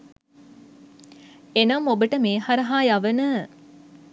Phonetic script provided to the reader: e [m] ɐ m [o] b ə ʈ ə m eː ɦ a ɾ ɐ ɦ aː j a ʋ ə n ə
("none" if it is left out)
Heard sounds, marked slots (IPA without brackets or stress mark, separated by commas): n, o